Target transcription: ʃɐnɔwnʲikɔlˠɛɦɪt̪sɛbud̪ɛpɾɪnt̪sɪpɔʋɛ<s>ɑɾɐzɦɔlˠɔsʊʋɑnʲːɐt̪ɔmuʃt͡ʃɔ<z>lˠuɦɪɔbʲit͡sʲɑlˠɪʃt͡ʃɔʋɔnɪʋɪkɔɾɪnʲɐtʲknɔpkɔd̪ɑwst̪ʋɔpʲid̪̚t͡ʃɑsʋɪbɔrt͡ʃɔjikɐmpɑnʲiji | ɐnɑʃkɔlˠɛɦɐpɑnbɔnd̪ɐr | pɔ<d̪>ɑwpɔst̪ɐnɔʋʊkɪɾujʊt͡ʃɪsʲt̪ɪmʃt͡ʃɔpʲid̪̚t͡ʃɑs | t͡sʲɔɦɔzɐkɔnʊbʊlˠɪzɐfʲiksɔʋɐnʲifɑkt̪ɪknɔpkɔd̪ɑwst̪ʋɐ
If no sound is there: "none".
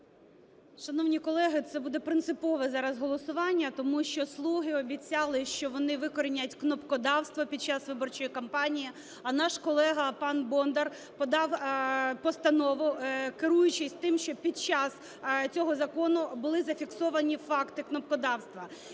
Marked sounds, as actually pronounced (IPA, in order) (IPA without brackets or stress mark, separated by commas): z, s, d̪